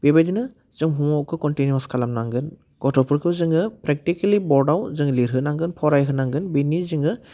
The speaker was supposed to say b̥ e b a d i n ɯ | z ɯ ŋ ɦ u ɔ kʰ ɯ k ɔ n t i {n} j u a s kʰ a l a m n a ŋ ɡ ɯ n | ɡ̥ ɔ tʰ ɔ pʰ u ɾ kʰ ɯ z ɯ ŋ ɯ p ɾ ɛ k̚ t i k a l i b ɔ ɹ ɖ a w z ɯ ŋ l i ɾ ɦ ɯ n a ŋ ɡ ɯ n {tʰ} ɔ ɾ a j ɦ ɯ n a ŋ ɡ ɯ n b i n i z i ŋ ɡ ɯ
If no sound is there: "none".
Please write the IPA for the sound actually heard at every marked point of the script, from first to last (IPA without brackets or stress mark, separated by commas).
n, pʰ